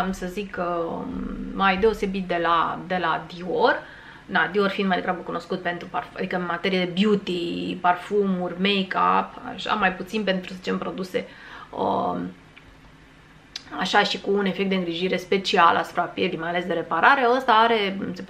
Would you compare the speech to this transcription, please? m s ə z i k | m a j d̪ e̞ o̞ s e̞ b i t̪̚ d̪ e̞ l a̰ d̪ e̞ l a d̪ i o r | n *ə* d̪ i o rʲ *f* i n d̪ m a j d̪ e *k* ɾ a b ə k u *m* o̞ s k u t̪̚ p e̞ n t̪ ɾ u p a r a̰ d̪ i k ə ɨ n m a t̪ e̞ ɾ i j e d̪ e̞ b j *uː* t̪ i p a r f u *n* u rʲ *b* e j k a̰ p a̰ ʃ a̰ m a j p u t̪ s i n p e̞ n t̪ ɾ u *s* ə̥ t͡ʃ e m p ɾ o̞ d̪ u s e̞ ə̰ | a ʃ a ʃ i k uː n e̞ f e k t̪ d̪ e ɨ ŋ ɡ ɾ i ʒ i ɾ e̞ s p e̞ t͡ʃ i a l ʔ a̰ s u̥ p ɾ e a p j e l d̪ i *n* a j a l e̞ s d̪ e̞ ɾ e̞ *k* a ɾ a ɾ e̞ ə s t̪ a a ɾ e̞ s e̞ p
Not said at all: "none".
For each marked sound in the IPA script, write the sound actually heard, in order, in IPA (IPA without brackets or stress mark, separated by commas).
a, f, ɡ, n, u, m, m, s, m, p